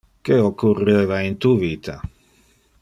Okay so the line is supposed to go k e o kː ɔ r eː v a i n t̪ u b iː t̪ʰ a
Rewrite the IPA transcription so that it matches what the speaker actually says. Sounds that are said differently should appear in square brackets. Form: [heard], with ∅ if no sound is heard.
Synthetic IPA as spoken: k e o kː [u] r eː v a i n t̪ u [v] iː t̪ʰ a